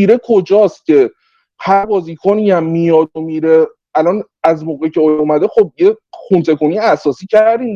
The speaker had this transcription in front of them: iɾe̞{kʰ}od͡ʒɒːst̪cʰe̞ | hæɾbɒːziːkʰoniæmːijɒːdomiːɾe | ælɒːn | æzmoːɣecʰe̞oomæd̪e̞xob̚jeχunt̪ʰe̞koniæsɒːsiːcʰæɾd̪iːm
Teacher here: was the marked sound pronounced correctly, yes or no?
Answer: yes